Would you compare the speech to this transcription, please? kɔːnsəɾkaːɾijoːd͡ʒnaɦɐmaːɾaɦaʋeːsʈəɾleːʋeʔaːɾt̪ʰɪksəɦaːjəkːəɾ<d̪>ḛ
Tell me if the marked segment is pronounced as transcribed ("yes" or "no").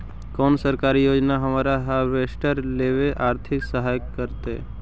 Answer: no